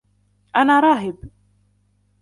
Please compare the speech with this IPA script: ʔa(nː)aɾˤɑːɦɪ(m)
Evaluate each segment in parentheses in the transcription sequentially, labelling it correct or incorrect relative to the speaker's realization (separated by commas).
incorrect, incorrect